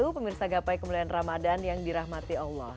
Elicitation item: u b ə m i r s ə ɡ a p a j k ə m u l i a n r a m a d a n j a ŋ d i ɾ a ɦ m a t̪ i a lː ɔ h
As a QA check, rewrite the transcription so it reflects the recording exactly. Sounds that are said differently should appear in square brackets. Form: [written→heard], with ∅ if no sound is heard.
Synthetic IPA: u [b→p] ə m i r s [ə→a] ɡ a p a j k ə m u l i a n r a m a d a n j a ŋ d i ɾ a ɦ m a t̪ i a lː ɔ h